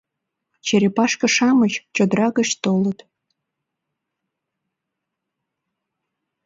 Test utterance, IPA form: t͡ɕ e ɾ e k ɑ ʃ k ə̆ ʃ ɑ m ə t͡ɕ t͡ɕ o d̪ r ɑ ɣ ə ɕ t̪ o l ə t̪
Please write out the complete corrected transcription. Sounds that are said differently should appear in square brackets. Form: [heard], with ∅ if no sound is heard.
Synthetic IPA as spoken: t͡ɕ e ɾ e [p] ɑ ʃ k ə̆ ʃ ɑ m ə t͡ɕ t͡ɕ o d̪ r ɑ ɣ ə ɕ t̪ o l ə t̪